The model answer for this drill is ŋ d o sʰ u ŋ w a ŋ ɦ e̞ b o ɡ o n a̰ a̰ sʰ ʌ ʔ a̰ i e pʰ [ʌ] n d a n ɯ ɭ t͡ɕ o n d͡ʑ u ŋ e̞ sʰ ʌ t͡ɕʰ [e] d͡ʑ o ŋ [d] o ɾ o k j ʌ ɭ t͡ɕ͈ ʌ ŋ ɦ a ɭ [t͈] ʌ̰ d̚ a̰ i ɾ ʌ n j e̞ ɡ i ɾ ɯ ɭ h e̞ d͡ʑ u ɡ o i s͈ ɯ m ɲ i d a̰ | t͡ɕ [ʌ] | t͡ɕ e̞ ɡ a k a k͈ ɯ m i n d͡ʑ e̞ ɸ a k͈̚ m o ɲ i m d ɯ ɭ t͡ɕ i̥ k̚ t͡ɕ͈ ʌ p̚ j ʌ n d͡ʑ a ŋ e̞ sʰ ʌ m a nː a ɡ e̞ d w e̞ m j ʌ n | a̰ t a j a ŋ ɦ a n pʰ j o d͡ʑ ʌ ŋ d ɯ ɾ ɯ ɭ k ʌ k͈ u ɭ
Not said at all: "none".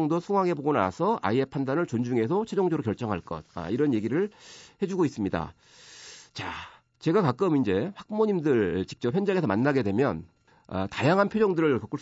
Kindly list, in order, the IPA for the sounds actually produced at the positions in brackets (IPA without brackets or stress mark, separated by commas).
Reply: a, e, d͡ʑ, k͈, a